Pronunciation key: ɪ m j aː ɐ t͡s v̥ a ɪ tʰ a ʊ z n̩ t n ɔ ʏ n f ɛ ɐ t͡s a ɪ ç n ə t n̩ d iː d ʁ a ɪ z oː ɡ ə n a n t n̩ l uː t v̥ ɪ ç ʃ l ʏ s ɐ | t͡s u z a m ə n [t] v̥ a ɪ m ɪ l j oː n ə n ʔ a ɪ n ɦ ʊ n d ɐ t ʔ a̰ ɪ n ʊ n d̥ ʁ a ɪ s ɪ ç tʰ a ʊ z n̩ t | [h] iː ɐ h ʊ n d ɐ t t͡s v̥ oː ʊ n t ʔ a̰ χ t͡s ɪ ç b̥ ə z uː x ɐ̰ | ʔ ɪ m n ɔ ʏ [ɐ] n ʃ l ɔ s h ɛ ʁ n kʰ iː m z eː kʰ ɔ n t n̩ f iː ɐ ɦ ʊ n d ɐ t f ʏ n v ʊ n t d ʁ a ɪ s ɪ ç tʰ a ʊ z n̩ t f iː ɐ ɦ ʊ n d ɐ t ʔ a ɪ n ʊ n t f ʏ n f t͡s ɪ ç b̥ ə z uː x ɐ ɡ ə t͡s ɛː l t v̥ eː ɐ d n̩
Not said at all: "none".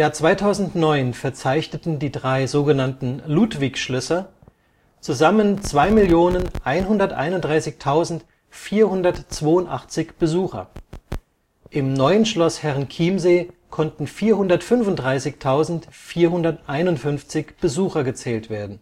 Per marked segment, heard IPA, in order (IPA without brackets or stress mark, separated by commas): t͡s, f, ə